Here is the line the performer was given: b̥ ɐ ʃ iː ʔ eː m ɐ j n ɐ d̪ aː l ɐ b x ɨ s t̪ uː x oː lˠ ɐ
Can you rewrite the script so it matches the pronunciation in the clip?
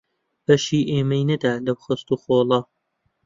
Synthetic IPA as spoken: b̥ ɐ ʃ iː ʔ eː m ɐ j n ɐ d̪ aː l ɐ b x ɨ s t̪ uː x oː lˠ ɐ